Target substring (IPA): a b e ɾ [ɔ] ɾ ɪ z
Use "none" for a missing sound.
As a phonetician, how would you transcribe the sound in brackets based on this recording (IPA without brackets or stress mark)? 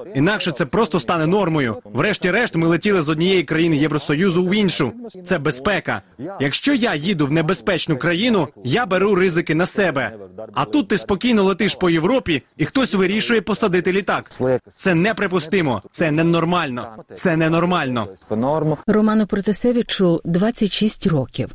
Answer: u